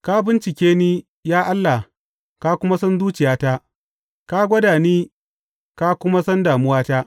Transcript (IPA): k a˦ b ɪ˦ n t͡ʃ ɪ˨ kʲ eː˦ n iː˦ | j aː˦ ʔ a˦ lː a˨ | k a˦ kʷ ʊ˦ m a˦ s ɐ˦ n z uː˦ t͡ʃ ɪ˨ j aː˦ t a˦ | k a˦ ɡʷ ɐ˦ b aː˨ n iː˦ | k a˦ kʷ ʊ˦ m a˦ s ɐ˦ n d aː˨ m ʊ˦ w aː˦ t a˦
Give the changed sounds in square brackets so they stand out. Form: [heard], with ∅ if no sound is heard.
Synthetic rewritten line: k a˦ b ɪ˦ n t͡ʃ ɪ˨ kʲ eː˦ n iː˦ | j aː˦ ʔ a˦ lː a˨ | k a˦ kʷ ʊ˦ m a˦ s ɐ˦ n z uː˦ t͡ʃ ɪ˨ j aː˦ t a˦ | k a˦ ɡʷ ɐ˦ [d] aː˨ n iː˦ | k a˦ kʷ ʊ˦ m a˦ s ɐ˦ n d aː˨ m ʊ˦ w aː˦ t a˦

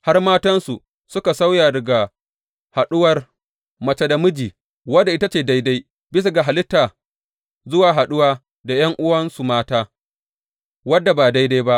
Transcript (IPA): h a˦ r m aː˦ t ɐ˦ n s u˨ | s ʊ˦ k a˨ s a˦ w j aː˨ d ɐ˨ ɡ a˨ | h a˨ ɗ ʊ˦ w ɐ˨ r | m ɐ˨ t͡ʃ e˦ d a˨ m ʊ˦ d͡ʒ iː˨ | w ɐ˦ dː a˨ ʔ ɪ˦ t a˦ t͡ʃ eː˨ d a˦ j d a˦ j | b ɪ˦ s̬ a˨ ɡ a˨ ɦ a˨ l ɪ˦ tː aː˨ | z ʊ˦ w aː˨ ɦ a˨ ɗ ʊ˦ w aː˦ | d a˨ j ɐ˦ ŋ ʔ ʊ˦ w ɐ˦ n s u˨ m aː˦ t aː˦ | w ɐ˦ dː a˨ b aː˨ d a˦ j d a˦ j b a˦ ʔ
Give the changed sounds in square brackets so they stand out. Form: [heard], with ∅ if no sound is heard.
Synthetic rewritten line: h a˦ r m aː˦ t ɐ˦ n s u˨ | s ʊ˦ k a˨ s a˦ w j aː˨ d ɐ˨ ɡ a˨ | h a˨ ɗ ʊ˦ w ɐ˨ r | m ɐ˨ t͡ʃ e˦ d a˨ m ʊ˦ d͡ʒ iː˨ | w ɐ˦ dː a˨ ʔ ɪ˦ t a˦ t͡ʃ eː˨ d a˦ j d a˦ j | b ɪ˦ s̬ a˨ ɡ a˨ ɦ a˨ l ɪ˦ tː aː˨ | z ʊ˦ w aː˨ ɦ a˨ ɗ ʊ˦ w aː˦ | d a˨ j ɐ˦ ŋ ʔ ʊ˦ w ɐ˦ n s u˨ m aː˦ t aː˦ | w ɐ˦ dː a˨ b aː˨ d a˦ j d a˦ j b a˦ ʔ

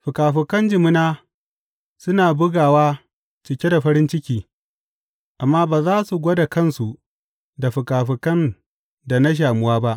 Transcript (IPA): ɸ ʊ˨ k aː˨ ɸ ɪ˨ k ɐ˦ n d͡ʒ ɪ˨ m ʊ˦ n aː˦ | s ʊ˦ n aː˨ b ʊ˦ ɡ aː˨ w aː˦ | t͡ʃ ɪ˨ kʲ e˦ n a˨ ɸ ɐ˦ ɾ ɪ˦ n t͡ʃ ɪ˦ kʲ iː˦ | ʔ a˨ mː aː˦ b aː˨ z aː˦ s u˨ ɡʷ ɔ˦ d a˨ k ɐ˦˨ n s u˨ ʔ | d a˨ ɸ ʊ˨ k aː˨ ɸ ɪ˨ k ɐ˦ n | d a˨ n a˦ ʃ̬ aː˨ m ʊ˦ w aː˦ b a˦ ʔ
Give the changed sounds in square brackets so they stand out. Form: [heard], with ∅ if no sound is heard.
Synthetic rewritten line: ɸ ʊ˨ k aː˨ ɸ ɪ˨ k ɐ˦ n d͡ʒ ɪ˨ m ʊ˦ n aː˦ | s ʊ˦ n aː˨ b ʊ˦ ɡ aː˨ w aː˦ | t͡ʃ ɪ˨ kʲ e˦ [d] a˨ ɸ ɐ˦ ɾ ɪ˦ n t͡ʃ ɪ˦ kʲ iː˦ | ʔ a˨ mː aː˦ b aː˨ z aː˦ s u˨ ɡʷ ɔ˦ d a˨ k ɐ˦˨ n s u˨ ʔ | d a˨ ɸ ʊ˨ k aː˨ ɸ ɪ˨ k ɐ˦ n | d a˨ n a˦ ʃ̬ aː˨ m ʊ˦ w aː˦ b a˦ ʔ

